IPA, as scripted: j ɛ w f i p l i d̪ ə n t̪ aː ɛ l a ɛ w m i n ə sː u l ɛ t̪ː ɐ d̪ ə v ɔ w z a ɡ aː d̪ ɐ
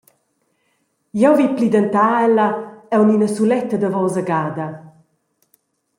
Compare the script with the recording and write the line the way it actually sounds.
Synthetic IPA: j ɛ w v i p l i d̪ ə n t̪ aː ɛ l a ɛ w n i n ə s u l ɛ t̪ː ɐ d̪ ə v ɔ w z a ɡ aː d̪ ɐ